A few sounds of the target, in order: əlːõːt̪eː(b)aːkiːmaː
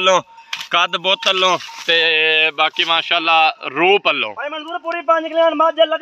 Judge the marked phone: correct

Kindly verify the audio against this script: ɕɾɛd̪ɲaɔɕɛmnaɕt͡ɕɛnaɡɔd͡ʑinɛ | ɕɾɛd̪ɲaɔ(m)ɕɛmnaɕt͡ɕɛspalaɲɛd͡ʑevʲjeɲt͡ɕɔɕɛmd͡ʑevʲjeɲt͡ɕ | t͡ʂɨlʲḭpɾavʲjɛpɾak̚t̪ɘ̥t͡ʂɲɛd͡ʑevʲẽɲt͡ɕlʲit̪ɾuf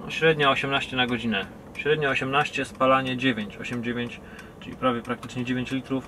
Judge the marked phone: incorrect: none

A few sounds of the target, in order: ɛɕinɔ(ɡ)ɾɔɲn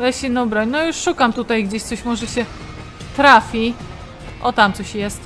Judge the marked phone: incorrect: b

